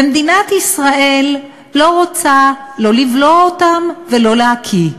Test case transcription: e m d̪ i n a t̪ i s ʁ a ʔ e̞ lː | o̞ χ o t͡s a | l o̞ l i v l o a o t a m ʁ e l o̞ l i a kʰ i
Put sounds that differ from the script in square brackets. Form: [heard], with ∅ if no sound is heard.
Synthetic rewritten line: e m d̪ i n a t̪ i s ʁ a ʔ e̞ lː | o̞ [ʁ] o t͡s a | l o̞ l i v l o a o t a m [v] e l o̞ l [e] a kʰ i